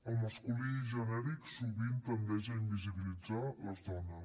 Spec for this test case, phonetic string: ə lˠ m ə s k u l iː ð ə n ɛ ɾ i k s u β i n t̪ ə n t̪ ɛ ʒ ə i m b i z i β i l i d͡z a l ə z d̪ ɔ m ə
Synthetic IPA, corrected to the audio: ə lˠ m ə s k u l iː ʒ ə n ɛ ɾ i k s u β i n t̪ ə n d̪ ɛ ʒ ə i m b i z i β i l i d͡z a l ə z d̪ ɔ n ə

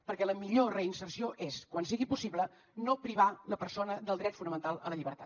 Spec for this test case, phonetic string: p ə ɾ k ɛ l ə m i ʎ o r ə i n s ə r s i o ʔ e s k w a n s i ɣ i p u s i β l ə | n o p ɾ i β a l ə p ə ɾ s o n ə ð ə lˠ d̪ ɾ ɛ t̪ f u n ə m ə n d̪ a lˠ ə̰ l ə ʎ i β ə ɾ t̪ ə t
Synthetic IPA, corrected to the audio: p ə ɾ k ɛ l ə m i ʎ o r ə i n s ə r s i o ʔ e s k w a n s i ɣ i p u s i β l ə | n o p ɾ i β a l ə p ə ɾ s o n ə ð ə lˠ d̪ ɾ ɛ t̪ f u n ə m ə n t̪ a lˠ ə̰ l ə ʎ i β ə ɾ t̪ a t

